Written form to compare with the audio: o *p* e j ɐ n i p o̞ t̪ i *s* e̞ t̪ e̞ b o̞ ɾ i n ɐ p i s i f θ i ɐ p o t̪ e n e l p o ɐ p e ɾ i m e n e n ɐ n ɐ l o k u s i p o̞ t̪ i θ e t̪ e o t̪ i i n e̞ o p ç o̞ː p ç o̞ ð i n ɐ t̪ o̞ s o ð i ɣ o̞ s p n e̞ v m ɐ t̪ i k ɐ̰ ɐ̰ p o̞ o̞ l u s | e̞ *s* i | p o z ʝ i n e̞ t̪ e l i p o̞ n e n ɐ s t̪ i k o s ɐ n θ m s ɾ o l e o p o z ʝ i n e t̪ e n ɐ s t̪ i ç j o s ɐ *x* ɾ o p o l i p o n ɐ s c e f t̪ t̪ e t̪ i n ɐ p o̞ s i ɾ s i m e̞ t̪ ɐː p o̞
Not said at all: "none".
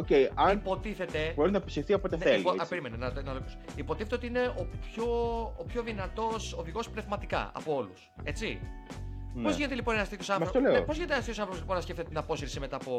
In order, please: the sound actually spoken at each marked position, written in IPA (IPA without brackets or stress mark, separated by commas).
c, θ, t͡s, θ